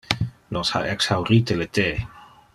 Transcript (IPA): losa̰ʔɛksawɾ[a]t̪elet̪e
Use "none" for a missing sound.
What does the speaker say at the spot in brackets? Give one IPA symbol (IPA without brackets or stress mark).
i